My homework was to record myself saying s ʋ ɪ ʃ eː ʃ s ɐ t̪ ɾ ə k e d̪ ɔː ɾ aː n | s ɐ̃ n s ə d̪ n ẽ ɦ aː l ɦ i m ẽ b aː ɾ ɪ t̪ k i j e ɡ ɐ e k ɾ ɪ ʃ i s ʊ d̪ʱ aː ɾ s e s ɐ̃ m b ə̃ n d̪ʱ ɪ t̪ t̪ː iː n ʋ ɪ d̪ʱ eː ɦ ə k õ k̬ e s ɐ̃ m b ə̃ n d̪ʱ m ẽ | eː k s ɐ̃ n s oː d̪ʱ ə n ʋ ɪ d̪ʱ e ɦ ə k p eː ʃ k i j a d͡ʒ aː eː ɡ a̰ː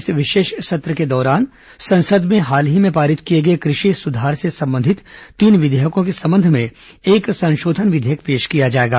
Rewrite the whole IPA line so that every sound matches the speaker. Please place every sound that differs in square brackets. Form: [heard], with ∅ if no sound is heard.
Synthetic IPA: s ʋ ɪ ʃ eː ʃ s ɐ t̪ ɾ ə k e d̪ ɔː ɾ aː n | s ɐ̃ n s ə d̪ [m] ẽ ɦ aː l ɦ i m ẽ [p] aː ɾ ɪ t̪ k i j e ɡ ɐ e k ɾ ɪ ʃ i s ʊ d̪ʱ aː ɾ s e s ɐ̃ m b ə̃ n d̪ʱ ɪ t̪ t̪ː iː n ʋ ɪ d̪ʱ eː ɦ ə k õ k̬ e s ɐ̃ m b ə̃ n d̪ʱ m ẽ | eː k s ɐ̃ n [ʃ] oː d̪ʱ ə n ʋ ɪ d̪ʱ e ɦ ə k p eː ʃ k i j a d͡ʒ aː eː ɡ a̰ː